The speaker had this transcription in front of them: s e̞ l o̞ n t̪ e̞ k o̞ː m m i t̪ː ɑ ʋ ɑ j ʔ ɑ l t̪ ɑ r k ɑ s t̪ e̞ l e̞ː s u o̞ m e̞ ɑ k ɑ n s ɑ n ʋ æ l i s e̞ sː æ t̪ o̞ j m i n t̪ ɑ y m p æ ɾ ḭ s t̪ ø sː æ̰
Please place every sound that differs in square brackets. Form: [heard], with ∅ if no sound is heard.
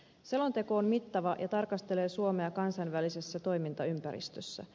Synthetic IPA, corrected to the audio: s e̞ l o̞ n t̪ e̞ k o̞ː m m i t̪ː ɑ ʋ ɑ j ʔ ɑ [∅] t̪ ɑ r k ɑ s t̪ e̞ l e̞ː s u o̞ m e̞ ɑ k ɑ n s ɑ n ʋ æ l i s e̞ sː æ t̪ o̞ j m i n t̪ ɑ y m p æ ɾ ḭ s t̪ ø sː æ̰